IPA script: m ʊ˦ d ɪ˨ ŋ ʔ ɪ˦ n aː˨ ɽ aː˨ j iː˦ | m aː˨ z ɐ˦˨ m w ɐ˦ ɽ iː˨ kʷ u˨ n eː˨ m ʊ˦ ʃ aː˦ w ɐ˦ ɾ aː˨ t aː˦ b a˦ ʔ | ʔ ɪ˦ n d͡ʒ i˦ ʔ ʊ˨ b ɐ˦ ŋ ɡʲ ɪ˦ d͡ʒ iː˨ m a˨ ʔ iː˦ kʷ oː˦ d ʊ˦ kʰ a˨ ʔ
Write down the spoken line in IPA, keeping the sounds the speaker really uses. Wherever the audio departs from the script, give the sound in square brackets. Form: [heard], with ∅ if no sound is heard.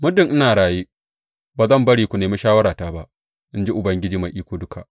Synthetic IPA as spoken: m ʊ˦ d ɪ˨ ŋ ʔ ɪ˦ n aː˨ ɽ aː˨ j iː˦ | [b] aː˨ z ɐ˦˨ m [b] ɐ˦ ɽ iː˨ kʷ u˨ n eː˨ m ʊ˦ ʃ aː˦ w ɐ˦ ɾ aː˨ t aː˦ b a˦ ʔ | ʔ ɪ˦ n d͡ʒ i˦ ʔ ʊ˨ b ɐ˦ ŋ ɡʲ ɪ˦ d͡ʒ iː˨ m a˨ ʔ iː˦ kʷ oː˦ d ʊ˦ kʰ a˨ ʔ